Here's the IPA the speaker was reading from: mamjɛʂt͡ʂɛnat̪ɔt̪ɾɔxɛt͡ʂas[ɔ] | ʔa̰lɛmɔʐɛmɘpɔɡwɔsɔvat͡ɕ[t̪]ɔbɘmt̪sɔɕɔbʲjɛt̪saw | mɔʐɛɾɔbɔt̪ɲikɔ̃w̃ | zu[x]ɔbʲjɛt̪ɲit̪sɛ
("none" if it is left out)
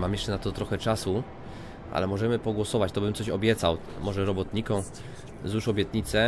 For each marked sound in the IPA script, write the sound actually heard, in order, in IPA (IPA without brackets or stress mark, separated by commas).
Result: u, t̪, ʂ